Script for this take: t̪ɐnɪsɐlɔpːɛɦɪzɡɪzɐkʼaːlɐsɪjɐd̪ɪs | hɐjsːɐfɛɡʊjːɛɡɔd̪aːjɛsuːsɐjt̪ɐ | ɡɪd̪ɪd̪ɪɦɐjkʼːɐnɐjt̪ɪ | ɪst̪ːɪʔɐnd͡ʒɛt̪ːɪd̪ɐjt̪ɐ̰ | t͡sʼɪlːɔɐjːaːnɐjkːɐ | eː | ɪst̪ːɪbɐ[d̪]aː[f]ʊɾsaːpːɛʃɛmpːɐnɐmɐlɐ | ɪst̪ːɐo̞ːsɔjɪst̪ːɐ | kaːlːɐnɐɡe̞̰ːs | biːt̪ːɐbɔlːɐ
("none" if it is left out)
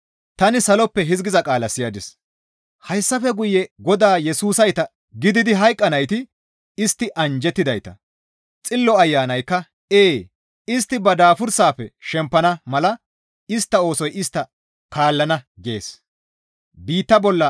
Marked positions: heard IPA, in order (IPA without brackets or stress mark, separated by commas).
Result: d̪, f